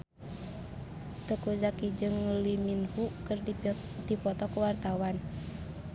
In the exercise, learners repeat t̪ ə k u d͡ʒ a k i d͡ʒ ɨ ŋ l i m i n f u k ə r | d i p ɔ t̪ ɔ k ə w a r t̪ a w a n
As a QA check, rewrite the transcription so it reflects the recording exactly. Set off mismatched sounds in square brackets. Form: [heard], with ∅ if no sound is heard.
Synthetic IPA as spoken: t̪ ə k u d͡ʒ a k i d͡ʒ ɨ ŋ l i m i n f u k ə r | d i p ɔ t̪ ɔ k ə w a r t̪ a w a n